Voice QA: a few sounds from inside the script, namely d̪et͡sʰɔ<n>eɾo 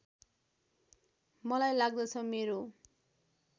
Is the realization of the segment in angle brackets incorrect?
yes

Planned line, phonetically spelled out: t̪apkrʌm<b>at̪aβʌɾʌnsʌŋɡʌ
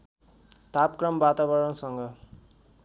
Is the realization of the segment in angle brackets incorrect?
no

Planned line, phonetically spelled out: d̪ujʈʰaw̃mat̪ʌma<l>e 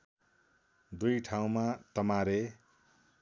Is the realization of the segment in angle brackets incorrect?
yes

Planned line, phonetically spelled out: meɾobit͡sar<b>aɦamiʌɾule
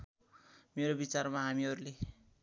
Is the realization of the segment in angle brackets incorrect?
yes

